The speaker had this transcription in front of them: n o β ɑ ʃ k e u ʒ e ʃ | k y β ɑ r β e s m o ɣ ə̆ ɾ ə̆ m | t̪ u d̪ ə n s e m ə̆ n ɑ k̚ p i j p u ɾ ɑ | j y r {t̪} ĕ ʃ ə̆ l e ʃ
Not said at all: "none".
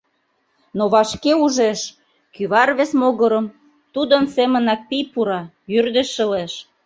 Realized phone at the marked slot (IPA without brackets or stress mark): d̪